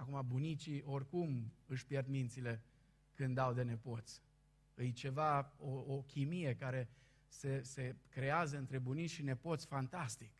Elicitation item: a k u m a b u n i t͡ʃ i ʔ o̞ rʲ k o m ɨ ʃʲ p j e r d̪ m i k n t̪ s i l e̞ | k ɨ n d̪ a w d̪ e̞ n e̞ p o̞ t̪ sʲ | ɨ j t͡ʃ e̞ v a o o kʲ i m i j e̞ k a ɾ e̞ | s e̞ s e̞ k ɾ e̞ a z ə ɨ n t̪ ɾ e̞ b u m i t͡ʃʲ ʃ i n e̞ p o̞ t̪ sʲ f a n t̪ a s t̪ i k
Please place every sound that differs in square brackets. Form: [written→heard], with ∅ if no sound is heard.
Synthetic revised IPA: a k u m a b u n i t͡ʃ i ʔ o̞ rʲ k [o→u] m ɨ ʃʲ p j e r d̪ m i [k→∅] n t̪ s i l e̞ | k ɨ n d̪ a w d̪ e̞ n e̞ p o̞ t̪ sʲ | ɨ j t͡ʃ e̞ v a o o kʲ i m i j e̞ k a ɾ e̞ | s e̞ s e̞ k ɾ e̞ a z ə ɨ n t̪ ɾ e̞ b u [m→n] i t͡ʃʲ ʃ i n e̞ p o̞ t̪ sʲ f a n t̪ a s t̪ i k